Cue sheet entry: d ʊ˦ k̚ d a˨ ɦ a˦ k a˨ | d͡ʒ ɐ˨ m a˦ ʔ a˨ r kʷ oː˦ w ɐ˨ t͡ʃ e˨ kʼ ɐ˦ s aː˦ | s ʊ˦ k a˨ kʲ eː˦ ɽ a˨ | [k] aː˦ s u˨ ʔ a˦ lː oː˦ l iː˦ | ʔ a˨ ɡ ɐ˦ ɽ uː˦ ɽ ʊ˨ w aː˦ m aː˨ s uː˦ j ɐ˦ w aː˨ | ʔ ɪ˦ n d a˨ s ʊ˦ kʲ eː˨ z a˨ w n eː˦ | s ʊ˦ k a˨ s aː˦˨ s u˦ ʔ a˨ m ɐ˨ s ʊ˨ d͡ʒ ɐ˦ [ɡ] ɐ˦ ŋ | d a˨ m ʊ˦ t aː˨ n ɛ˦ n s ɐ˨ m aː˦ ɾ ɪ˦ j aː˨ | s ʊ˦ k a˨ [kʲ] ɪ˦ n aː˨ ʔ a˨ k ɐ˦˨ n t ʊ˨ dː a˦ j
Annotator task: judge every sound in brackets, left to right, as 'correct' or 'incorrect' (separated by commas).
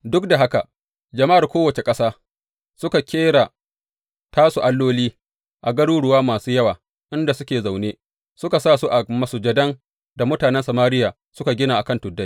incorrect, incorrect, incorrect